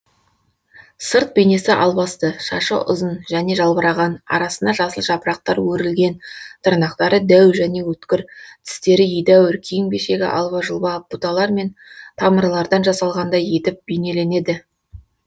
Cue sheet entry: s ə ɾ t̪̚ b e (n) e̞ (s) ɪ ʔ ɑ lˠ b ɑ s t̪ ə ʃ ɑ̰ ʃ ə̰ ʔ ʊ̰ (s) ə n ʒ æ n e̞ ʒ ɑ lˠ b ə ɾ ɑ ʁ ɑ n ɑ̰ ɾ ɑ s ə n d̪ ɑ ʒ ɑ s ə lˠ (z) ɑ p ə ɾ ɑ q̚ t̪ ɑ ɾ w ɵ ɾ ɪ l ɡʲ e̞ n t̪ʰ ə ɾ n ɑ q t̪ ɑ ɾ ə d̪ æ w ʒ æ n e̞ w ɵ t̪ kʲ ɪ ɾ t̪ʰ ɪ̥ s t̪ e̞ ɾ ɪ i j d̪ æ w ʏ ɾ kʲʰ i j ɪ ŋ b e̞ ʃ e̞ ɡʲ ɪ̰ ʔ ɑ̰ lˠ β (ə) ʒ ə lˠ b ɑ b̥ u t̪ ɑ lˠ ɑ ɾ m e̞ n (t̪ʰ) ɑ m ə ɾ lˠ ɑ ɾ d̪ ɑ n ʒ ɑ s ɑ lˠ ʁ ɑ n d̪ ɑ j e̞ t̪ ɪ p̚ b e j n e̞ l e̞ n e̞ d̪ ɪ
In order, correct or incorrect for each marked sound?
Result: correct, correct, incorrect: z, incorrect: ʒ, incorrect: ɑ, correct

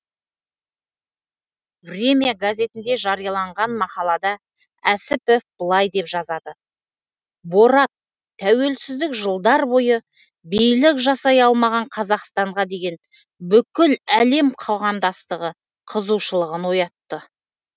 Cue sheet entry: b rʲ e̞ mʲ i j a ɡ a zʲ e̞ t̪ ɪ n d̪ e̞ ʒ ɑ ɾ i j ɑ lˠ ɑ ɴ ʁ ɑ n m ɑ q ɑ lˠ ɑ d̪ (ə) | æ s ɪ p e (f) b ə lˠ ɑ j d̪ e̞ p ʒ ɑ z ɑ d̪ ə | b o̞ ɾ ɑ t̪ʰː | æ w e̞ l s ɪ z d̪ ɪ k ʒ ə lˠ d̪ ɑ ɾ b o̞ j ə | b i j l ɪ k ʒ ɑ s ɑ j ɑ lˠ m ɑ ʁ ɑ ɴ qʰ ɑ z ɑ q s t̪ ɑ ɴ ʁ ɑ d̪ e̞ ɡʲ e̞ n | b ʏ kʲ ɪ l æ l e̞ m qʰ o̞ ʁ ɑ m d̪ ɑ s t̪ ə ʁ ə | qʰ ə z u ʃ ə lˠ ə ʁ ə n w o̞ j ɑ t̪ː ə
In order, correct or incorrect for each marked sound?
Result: incorrect: ɑ, correct

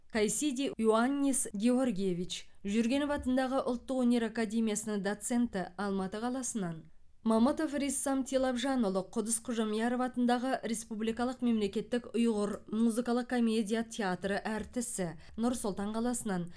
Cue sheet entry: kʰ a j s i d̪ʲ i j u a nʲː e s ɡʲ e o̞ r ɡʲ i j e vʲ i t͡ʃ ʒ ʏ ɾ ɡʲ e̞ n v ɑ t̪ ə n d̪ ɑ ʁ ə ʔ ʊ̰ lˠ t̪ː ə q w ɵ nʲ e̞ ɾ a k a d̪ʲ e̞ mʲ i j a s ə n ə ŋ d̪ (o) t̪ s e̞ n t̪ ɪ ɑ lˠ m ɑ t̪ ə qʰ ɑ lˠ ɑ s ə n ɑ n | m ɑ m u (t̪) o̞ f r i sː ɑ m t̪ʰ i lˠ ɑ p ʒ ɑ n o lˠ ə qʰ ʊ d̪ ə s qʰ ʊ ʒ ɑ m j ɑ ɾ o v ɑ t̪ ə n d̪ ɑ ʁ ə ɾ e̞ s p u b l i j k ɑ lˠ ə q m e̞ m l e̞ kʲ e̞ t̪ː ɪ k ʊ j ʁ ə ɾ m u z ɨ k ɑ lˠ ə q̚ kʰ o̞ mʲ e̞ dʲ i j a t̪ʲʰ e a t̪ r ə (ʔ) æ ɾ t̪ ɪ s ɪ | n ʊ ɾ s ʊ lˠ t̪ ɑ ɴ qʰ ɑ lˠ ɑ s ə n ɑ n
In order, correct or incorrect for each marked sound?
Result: correct, correct, correct

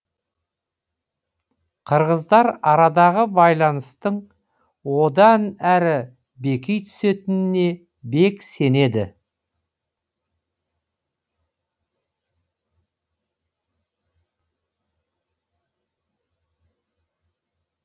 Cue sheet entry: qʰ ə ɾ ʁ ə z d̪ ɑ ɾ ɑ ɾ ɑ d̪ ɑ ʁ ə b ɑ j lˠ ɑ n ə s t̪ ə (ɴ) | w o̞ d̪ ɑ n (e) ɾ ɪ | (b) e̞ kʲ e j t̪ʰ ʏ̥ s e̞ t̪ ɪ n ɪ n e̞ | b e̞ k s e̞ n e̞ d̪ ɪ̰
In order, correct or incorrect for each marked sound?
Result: correct, incorrect: æ, correct

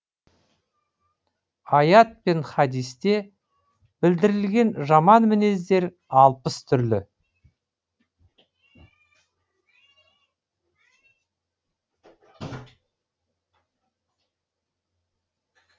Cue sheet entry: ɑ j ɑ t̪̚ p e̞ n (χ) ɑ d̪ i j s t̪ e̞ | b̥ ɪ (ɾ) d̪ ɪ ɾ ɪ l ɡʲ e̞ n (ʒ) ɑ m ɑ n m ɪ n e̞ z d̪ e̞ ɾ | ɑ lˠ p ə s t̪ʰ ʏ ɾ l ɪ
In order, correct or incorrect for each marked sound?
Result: correct, incorrect: l, correct

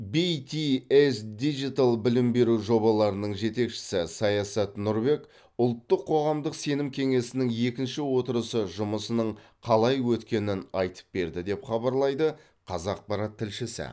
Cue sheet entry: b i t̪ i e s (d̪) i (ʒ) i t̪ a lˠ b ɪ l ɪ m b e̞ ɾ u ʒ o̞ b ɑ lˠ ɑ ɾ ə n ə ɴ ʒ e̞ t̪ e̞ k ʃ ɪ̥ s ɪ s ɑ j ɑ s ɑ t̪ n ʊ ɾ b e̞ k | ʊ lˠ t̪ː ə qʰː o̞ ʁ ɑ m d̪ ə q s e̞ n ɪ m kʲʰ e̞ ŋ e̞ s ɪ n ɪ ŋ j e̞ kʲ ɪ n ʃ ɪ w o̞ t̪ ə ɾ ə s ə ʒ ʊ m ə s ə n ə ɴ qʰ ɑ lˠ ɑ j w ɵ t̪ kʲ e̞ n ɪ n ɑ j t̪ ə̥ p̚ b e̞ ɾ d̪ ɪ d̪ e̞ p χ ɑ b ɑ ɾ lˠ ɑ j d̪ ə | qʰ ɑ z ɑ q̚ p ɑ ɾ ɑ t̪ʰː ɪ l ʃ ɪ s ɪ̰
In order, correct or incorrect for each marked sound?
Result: correct, correct

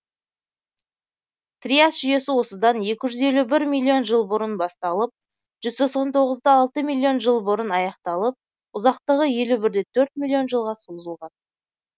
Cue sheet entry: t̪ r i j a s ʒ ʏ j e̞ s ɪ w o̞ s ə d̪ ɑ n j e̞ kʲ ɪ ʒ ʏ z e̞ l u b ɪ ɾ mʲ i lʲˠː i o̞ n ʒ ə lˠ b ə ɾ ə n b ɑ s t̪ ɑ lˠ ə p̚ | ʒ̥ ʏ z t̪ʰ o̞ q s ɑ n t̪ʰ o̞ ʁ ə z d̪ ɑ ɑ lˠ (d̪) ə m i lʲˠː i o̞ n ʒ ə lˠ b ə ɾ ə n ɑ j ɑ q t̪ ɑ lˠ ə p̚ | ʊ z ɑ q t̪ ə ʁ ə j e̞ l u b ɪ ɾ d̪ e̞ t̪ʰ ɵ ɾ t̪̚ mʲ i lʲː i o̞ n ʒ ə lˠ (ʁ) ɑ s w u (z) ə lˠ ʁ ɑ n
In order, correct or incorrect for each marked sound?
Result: incorrect: t̪, correct, correct

